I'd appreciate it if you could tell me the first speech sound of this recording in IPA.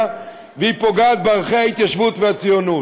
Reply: v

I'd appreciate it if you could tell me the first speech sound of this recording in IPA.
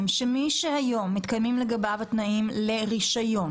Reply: m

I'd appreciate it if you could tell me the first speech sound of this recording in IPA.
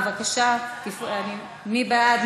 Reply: v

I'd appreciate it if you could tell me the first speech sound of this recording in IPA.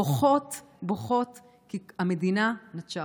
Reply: o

